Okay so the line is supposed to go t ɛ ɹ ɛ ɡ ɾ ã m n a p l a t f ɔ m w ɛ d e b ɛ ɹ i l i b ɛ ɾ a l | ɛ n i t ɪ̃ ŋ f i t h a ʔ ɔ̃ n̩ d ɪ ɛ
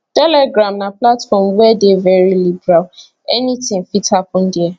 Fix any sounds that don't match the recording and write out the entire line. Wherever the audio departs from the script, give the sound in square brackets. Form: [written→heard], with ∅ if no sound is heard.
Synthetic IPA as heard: t ɛ [ɹ→l] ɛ ɡ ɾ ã m n a p l a t f ɔ m w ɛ d e [b→v] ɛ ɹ i l i b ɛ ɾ a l | ɛ n i t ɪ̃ ŋ f i t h a [ʔ→p] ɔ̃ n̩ d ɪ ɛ